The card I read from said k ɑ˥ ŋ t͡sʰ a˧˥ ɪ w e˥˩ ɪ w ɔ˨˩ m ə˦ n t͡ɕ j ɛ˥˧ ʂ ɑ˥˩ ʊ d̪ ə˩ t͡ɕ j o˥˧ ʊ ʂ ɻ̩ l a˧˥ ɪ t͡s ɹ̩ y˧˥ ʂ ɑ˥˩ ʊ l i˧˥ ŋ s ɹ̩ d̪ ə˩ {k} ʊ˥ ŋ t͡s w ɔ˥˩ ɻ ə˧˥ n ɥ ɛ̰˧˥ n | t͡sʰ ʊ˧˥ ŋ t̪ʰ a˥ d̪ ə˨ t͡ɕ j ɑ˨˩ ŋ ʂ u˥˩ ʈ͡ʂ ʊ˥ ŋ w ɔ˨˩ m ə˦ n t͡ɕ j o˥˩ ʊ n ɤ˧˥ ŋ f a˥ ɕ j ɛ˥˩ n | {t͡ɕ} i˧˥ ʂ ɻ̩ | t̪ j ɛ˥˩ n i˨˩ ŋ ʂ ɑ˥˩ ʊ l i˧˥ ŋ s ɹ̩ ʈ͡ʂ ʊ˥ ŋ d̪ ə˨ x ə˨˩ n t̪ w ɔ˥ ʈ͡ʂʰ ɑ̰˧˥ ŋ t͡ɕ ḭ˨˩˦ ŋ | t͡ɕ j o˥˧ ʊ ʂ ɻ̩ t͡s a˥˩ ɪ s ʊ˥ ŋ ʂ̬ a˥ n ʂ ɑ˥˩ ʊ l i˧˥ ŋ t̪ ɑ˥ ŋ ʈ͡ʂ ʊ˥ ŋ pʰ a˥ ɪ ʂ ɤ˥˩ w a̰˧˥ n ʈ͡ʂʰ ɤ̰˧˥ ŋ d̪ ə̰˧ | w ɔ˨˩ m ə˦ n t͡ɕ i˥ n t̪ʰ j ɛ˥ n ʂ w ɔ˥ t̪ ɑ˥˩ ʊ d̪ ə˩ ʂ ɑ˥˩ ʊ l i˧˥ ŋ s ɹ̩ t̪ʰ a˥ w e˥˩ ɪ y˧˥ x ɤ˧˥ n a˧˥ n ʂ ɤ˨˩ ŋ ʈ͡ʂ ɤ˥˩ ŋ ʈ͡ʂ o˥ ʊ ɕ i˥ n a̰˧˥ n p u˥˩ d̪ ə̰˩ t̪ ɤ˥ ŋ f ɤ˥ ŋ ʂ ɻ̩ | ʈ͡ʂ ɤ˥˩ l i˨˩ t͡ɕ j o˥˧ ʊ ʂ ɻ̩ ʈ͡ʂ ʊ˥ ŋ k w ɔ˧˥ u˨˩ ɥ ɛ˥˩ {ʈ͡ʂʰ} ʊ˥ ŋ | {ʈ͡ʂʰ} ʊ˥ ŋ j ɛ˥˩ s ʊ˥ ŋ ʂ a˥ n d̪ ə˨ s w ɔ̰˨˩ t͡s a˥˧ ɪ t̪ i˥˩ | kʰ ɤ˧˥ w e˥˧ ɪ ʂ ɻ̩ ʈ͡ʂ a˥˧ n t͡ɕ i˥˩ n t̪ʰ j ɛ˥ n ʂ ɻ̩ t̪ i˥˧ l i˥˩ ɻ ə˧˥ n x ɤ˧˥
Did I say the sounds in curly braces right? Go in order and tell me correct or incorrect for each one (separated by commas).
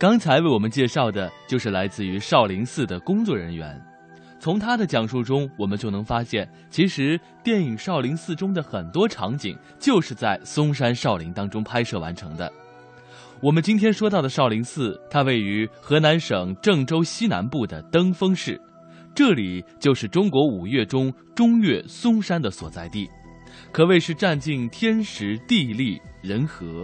correct, incorrect, incorrect, incorrect